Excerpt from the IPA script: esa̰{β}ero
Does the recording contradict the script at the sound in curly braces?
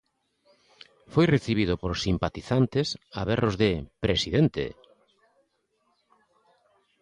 no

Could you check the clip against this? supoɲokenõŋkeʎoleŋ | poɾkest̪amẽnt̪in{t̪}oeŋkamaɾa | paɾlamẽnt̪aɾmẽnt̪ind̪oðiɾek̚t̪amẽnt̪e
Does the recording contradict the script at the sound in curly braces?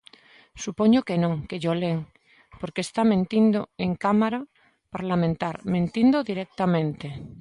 yes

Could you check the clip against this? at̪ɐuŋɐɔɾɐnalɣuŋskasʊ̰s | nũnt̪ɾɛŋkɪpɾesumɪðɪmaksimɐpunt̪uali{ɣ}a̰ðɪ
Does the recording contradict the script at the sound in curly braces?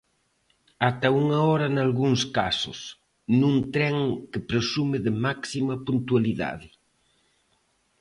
yes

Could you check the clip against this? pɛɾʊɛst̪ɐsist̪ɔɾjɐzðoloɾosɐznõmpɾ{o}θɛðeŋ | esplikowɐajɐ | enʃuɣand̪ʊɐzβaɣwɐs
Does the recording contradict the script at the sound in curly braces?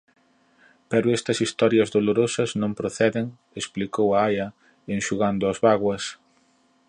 no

